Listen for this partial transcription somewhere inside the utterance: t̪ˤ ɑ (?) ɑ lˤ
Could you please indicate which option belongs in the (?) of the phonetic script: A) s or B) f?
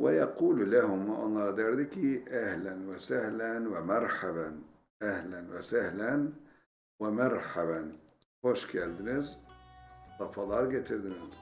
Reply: B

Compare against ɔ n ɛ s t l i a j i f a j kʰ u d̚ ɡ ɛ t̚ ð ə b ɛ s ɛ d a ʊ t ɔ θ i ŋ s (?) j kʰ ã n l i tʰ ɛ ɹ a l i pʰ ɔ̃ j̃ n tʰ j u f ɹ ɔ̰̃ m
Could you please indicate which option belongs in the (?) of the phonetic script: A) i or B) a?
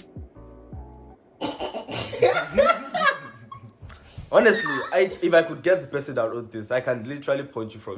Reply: B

